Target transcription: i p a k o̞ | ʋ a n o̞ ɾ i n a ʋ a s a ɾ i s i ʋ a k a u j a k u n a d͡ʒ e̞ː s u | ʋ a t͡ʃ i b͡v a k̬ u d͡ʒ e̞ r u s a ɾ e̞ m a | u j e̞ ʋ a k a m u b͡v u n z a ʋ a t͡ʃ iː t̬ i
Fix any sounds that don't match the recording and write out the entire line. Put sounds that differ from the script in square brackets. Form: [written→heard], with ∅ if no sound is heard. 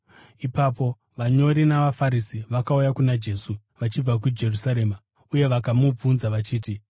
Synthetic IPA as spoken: i p a [k→p] o̞ | ʋ a [n→ɲ] o̞ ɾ i n a ʋ a [s→f] a ɾ i s i ʋ a k a u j a k u n a d͡ʒ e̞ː s u | ʋ a t͡ʃ i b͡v a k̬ u d͡ʒ e̞ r u s a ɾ e̞ m a | u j e̞ ʋ a k a m u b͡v u n z a ʋ a t͡ʃ iː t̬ i